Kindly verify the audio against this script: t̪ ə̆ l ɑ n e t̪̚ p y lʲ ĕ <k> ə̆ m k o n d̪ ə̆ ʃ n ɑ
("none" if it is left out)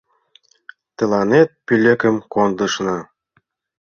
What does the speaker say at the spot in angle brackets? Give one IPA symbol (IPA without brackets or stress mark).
k